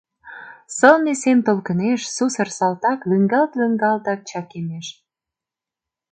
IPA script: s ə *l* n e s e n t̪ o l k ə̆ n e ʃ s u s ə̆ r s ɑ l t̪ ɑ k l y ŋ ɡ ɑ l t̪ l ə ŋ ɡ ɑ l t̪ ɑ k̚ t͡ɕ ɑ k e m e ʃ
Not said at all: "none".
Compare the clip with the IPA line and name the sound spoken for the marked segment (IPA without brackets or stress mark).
l